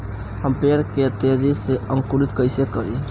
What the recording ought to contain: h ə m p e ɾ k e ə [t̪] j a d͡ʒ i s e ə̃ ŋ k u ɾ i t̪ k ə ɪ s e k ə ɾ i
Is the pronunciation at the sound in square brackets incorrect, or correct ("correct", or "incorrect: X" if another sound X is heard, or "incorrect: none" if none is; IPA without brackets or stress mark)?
correct